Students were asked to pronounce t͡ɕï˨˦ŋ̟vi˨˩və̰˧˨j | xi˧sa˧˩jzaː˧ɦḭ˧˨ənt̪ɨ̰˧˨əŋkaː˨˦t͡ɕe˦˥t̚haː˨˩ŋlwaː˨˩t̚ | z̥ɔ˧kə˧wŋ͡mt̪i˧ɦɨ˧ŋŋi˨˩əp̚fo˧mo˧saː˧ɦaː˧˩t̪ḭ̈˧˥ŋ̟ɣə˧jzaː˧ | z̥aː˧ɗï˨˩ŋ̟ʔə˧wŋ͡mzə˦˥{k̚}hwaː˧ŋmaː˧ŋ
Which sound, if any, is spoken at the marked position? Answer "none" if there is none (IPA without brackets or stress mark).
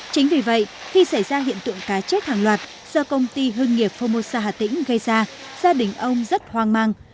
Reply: t̚